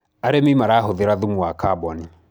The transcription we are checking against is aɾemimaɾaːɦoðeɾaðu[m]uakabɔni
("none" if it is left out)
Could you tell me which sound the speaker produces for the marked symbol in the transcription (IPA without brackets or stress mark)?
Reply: m